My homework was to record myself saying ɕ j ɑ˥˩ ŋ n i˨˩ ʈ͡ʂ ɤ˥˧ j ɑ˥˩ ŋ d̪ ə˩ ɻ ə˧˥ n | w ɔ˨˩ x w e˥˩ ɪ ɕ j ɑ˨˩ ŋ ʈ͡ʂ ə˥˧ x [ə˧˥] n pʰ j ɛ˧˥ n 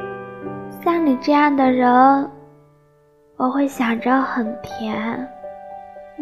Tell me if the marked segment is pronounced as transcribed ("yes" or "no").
no